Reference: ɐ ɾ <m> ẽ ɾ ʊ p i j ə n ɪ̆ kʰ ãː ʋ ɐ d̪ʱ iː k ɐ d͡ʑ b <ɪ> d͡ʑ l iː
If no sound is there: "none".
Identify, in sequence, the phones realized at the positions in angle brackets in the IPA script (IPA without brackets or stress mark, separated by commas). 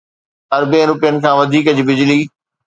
b, ɪ